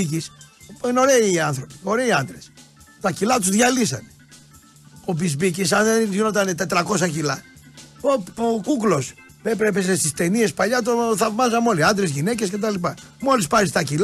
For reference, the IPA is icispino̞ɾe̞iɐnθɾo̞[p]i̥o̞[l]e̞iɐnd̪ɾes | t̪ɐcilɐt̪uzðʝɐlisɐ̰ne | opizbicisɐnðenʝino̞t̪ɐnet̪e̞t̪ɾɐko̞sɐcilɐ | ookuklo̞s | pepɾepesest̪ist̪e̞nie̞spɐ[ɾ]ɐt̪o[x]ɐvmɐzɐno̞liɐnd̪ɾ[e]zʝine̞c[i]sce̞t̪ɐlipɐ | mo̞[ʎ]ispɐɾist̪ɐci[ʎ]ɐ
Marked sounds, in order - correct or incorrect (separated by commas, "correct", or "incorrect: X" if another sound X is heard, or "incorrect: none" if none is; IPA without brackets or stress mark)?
correct, incorrect: ɾ, incorrect: ʎ, incorrect: θ, correct, incorrect: e, incorrect: l, incorrect: l